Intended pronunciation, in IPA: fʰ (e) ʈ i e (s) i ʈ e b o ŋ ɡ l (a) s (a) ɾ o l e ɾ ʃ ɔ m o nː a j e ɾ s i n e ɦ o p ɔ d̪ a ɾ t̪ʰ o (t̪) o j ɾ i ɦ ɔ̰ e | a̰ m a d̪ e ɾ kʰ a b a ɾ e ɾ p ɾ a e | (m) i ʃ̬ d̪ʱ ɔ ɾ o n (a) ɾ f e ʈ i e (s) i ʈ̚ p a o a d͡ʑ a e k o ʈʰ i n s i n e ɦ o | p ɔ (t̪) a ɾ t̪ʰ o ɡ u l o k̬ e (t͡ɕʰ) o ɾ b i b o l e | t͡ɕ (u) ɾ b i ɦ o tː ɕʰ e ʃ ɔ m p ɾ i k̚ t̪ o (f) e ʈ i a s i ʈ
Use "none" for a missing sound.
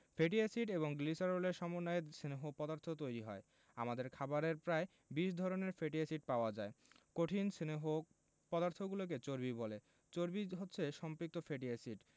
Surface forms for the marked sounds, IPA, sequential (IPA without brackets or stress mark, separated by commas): e, s, i, a, t̪, b, e, s, d̪, t͡ɕ, o, f